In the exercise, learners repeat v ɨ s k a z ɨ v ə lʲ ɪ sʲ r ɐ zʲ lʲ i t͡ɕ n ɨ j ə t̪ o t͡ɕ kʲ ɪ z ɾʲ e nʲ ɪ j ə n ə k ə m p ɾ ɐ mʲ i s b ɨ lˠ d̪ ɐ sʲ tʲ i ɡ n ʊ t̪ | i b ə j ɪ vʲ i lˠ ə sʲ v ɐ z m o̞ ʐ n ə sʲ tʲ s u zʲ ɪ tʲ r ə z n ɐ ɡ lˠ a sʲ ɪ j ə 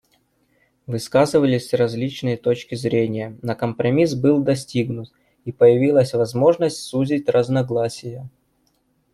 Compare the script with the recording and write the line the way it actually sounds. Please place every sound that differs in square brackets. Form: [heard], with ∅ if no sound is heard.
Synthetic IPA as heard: v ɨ s k a z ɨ v ə lʲ ɪ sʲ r ɐ zʲ lʲ i t͡ɕ n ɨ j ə t̪ o t͡ɕ kʲ ɪ z ɾʲ e nʲ ɪ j ə n ə k ə m p ɾ ɐ mʲ i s b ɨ lˠ d̪ ɐ sʲ tʲ i ɡ n ʊ t̪ | i [p] ə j ɪ vʲ i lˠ ə sʲ v ɐ z m o̞ ʐ n ə sʲ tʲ s u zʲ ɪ tʲ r ə z n ɐ ɡ lˠ a sʲ ɪ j ə